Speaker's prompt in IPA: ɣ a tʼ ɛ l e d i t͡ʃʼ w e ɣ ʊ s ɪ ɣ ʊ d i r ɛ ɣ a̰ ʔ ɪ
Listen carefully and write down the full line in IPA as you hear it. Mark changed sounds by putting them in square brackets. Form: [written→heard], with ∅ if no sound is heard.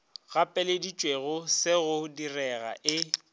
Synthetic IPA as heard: ɣ a [tʼ→pʼ] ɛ l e d i t͡ʃʼ w e ɣ ʊ s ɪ ɣ ʊ d i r ɛ ɣ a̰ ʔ ɪ